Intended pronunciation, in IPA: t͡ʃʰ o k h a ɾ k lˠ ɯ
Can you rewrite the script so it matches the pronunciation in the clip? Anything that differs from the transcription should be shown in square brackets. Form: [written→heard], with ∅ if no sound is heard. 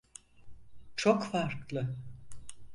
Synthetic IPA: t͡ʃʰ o k [h→f] a ɾ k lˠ ɯ